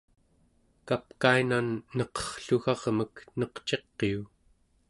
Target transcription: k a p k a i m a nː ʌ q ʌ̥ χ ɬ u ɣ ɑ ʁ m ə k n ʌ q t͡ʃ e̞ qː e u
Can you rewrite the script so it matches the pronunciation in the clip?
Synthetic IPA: k a p k a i n a nː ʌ q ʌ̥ χ ɬ u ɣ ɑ ʁ m ə k n ʌ q t͡ʃ e̞ qː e u